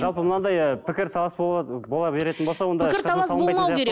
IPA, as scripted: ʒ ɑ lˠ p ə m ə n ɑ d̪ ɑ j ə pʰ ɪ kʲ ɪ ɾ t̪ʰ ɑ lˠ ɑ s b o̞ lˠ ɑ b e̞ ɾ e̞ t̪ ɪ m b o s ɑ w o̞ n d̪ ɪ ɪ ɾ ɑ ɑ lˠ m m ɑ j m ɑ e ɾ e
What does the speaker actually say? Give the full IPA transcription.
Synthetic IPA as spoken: ʒ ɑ lˠ p ə m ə n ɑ d̪ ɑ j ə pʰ ɪ kʲ ɪ ɾ t̪ʰ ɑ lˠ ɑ s b o̞ lˠ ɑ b e̞ ɾ e̞ t̪ ɪ n b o s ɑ w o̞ n d̪ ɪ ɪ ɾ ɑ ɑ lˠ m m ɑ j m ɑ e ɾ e